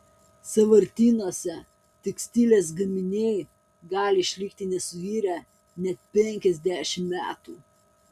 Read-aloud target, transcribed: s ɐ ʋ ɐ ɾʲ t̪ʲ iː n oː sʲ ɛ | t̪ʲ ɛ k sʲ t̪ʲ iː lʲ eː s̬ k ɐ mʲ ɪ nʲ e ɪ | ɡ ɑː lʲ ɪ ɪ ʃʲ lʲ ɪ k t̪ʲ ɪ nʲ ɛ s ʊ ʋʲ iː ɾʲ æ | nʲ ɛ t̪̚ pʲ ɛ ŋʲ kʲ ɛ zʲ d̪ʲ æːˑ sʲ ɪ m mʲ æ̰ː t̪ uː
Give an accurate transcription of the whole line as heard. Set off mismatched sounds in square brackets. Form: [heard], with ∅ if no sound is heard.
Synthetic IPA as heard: s ɐ ʋ ɐ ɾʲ t̪ʲ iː n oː sʲ ɛ | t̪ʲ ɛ k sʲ t̪ʲ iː lʲ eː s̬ [ɡ] ɐ mʲ ɪ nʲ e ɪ | ɡ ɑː lʲ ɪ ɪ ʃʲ lʲ ɪ k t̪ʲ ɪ nʲ ɛ s ʊ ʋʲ iː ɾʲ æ | nʲ ɛ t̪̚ pʲ ɛ ŋʲ kʲ ɛ zʲ d̪ʲ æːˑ [ʃʲ] ɪ m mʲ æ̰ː t̪ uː